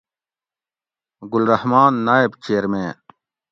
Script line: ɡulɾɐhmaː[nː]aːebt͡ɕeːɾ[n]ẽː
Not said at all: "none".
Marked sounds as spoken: nː, m

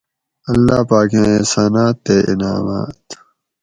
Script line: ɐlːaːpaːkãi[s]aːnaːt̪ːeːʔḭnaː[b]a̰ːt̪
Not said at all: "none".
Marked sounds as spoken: s, m

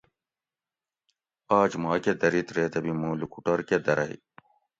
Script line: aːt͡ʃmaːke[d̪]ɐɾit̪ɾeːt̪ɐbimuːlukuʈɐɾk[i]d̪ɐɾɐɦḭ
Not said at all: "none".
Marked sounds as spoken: d̪, e

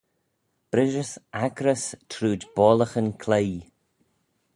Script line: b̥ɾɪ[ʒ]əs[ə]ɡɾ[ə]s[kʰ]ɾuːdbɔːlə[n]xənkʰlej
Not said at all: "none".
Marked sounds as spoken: ʒ, a, ə, tʰ, none

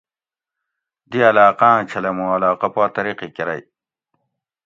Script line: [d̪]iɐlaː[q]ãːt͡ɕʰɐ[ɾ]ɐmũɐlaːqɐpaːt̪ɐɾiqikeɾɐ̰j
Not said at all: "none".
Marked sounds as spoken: d̪, q, l

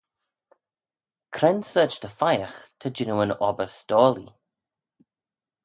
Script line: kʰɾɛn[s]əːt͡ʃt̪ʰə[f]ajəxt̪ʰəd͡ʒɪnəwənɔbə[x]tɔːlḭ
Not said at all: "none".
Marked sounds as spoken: s, f, s

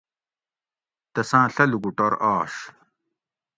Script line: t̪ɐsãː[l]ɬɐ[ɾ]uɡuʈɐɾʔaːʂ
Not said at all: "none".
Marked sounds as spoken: none, l

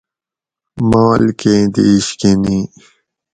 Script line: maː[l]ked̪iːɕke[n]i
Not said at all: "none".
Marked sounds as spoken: l, n

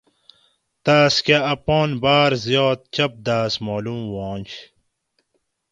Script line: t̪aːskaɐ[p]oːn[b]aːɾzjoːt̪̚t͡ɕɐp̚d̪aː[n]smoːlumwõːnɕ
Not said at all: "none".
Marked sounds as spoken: p, b, none

